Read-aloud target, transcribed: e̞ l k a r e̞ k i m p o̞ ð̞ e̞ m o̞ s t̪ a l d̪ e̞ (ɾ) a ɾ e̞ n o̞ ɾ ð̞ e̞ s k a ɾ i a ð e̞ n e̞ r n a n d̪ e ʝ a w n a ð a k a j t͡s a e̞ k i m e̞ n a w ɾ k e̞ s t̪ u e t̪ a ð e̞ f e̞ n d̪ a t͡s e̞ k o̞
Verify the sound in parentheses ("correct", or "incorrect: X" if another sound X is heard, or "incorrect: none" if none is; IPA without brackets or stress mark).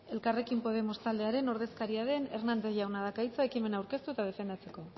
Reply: incorrect: none